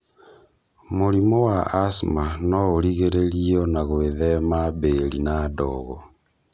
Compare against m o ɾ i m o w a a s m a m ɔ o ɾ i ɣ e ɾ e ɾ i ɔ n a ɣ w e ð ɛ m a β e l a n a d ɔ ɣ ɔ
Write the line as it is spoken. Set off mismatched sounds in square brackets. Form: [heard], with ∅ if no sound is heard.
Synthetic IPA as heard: m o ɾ i m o w a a s m a [n] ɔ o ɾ i ɣ e ɾ e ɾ i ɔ n a ɣ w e ð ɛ m a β e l [i] n a d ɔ ɣ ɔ